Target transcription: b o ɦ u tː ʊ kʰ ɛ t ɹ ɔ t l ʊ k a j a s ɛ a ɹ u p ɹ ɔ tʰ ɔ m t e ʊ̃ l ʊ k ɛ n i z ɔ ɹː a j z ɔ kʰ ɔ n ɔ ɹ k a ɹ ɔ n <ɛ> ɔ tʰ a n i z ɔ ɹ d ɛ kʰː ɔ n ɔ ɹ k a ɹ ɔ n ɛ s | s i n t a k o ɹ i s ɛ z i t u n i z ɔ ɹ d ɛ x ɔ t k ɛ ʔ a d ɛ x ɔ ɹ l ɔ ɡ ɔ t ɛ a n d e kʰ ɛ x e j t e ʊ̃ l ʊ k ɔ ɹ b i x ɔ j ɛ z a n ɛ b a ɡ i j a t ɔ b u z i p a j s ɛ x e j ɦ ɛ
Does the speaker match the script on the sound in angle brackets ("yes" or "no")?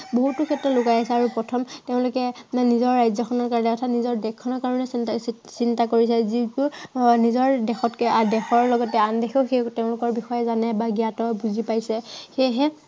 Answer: yes